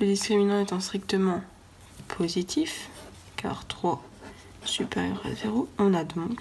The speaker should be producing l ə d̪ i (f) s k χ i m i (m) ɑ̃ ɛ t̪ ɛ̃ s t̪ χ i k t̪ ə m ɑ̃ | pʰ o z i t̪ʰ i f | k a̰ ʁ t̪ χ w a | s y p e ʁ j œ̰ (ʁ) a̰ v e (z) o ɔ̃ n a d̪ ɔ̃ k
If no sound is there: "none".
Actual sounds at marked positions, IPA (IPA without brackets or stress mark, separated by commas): none, n, ʁ, ʁ